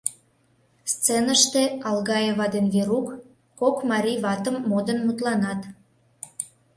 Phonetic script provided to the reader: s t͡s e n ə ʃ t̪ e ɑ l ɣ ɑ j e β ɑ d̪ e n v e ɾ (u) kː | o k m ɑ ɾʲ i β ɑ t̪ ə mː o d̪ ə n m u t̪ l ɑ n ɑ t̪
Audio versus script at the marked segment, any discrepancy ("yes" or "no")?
no